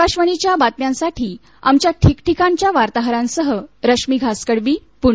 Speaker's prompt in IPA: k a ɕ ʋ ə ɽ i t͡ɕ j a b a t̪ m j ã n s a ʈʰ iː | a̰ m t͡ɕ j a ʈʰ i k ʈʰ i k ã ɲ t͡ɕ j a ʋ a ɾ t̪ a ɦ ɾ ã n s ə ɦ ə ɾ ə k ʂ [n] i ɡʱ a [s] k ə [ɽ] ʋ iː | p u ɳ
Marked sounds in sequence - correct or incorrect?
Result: incorrect: m, correct, correct

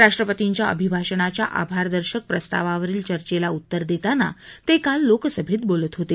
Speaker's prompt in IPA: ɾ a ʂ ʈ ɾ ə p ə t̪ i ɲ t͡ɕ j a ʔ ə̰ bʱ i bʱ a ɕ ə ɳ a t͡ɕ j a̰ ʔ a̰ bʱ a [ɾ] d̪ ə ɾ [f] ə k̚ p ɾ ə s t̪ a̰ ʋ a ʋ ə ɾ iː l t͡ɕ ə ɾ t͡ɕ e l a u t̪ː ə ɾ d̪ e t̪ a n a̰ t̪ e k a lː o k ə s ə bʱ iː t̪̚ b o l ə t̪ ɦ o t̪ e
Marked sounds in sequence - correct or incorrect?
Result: correct, incorrect: ɕ

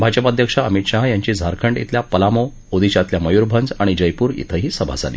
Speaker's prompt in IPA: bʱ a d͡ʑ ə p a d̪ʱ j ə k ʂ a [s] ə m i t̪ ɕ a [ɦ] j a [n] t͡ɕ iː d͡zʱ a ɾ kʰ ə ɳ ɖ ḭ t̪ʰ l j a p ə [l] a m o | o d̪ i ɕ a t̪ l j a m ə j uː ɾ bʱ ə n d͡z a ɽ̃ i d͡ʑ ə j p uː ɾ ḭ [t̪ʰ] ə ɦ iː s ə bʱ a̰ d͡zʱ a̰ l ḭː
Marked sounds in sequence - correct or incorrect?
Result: incorrect: none, correct, incorrect: ɲ, correct, correct

